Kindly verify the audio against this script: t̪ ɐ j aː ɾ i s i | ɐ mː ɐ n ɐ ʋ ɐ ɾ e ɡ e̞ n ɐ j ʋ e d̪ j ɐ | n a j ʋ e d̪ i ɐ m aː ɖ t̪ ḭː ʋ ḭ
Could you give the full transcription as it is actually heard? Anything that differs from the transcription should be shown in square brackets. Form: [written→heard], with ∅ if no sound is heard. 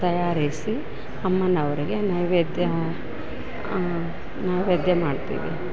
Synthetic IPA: t̪ ɐ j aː ɾ i s i | ɐ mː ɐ n ɐ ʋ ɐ ɾ [e→i] ɡ e̞ n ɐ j ʋ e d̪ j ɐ | n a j ʋ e d̪ [i→j] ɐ m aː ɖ t̪ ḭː ʋ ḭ